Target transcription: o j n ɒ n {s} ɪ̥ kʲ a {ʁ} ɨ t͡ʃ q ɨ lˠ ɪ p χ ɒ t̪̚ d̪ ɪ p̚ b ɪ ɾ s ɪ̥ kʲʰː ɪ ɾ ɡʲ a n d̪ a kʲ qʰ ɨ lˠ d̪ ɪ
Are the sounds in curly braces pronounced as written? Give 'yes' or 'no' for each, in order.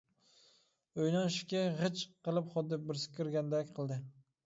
no, yes

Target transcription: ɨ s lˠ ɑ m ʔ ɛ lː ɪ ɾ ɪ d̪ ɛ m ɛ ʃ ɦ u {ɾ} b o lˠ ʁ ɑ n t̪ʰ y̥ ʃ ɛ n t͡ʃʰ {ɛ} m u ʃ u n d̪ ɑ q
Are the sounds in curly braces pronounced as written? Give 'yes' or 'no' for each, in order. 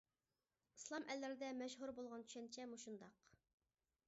yes, yes

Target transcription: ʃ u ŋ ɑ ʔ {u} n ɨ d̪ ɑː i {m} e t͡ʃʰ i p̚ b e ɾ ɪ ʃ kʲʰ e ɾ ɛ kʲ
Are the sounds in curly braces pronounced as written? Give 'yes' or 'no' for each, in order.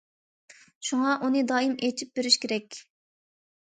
yes, yes

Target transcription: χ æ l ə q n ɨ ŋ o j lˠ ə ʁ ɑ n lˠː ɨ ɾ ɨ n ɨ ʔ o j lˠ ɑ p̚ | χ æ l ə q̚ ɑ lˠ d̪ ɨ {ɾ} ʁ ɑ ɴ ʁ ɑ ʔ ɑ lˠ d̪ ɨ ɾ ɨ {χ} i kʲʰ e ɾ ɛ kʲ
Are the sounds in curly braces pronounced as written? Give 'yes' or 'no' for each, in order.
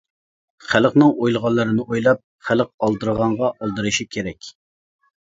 yes, no

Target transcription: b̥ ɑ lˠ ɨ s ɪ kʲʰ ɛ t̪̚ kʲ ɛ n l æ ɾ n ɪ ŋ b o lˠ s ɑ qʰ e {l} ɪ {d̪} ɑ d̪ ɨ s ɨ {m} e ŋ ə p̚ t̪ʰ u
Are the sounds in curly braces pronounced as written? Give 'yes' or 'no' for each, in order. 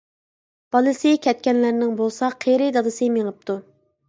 no, yes, yes

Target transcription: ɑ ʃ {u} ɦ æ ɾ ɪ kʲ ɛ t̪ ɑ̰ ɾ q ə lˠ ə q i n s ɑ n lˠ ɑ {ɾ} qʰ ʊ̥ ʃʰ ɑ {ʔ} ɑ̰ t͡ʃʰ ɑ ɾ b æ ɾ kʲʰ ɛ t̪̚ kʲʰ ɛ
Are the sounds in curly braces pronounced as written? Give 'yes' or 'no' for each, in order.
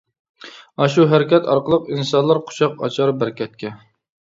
yes, yes, no

